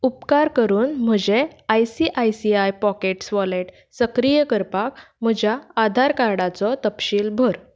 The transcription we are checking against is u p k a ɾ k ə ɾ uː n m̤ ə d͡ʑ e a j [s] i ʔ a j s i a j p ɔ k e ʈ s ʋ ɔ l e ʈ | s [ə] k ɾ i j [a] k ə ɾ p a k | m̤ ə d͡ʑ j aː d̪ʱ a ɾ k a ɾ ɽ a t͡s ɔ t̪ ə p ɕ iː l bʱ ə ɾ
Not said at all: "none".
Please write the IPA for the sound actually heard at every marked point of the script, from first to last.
s, ə, ə

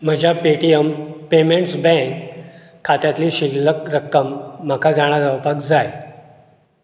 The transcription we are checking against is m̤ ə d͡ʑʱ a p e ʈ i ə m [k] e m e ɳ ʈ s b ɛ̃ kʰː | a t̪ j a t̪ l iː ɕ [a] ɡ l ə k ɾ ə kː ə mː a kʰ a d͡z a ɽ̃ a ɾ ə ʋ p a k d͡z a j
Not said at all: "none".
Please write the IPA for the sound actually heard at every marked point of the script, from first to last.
p, i

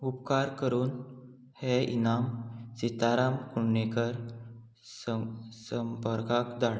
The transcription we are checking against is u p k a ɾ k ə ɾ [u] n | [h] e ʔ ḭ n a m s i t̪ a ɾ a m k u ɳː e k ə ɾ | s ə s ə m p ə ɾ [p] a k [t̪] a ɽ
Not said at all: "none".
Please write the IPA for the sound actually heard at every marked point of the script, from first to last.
uː, h, k, d̪

